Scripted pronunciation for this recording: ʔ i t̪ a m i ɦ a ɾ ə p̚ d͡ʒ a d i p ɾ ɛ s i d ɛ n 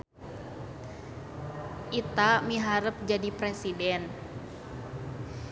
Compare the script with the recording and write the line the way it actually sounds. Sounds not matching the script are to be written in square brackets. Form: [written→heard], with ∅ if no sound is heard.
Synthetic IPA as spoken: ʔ i t̪ a m i ɦ a ɾ ə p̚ d͡ʒ a d i p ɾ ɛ s i d ɛ n

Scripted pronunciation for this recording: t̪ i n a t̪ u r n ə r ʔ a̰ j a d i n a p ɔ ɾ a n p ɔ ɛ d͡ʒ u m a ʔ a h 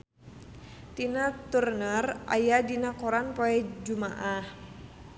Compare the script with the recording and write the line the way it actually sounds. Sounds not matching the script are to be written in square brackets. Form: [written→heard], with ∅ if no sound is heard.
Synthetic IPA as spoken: t̪ i n a t̪ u r n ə r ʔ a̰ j a d i n a [p→k] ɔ ɾ a n p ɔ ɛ d͡ʒ u m a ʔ a h

